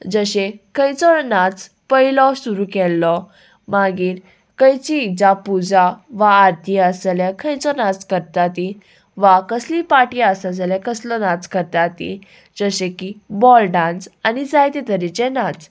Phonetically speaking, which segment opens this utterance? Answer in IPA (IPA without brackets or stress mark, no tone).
d͡z